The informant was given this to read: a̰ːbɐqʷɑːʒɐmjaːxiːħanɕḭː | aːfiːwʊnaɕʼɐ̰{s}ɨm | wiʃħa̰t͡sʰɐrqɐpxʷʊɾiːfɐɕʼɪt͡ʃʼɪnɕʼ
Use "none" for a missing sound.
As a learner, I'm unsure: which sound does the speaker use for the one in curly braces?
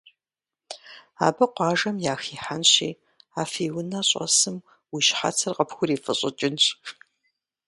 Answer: s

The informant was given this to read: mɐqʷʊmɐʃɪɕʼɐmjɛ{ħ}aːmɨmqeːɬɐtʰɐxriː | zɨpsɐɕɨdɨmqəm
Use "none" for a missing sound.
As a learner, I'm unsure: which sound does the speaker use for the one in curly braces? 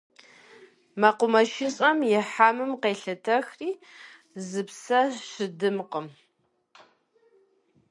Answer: ħ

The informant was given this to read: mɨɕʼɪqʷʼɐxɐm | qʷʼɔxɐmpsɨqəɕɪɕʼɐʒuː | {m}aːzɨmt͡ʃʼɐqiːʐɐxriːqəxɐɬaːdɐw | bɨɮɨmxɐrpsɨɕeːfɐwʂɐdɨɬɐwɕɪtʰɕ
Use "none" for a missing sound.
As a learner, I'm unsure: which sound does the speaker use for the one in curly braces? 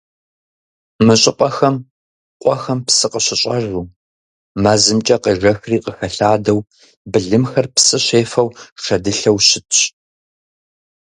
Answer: m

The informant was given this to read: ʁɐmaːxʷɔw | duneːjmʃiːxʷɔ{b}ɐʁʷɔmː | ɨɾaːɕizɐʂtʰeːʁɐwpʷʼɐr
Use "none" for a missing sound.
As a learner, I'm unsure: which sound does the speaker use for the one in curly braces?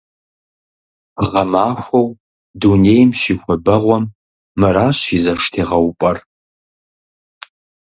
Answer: b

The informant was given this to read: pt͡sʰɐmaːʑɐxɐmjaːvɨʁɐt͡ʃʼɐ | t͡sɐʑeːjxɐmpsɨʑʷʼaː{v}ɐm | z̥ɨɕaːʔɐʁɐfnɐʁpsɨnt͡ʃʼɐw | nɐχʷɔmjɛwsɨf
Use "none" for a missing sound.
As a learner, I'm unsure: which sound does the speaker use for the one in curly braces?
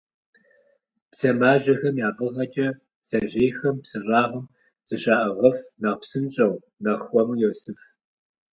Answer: ʁ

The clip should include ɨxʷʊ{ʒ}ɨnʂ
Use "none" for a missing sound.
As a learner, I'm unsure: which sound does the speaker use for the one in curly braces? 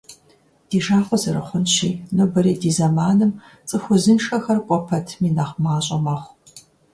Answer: z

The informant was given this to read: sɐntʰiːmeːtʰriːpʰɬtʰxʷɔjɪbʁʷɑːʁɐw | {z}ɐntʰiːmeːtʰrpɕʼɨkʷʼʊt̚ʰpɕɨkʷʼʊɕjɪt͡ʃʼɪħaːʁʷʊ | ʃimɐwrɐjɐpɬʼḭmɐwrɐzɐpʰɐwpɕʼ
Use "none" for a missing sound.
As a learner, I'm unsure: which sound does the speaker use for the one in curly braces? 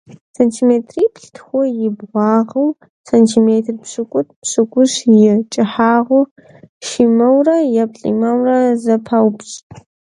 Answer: s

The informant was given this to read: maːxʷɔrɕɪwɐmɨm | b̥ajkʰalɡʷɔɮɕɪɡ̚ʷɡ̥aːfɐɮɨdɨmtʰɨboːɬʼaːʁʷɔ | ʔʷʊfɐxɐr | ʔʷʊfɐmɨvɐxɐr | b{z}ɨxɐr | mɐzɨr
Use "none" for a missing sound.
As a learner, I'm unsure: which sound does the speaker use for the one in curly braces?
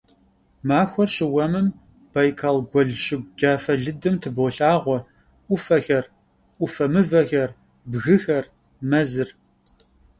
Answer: ɣ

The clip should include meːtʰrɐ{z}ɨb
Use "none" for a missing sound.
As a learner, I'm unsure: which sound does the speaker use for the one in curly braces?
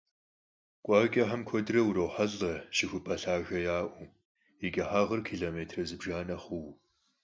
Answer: z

